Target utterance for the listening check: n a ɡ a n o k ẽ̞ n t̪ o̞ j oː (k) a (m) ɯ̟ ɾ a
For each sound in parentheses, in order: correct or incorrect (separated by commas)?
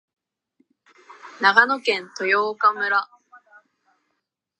correct, correct